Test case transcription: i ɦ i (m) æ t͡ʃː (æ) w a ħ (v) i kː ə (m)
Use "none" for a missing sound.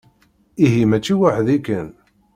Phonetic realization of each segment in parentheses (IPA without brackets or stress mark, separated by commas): m, i, ð, n